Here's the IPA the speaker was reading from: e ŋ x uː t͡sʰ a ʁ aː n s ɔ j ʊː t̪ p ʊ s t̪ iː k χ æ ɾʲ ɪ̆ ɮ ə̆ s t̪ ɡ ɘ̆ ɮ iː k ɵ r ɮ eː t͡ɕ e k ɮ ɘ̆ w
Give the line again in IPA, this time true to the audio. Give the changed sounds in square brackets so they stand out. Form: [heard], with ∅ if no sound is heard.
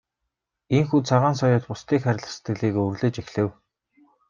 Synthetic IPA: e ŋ x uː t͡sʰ a ʁ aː n s ɔ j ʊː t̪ p ʊ s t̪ iː k χ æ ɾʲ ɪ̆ ɮ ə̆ s t̪ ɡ ɘ̆ ɮ iː k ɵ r ɮ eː t͡ɕ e [x] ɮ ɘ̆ w